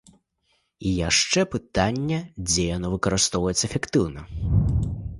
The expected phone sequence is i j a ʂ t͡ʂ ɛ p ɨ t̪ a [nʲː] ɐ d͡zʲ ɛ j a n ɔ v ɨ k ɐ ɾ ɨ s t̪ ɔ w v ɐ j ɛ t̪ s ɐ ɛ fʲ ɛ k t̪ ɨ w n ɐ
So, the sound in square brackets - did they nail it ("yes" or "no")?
yes